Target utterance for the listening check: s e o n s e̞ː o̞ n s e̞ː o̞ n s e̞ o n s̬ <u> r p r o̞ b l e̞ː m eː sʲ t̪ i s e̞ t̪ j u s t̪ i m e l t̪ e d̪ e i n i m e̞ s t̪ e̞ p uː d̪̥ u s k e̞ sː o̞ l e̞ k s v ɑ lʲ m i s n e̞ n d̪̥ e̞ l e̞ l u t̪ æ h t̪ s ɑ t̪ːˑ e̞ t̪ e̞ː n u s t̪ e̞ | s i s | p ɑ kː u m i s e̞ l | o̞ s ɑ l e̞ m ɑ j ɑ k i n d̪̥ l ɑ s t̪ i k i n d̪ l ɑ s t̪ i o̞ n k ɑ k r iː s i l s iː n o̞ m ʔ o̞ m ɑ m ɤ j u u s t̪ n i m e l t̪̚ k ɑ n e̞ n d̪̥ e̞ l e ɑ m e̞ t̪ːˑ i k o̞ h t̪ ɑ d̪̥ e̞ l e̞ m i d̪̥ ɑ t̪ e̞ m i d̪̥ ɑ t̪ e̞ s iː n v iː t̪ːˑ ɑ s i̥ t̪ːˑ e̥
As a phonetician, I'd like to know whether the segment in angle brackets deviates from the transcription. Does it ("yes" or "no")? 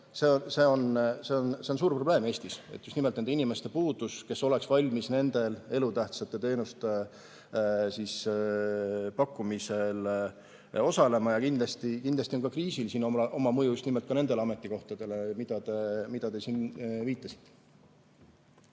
yes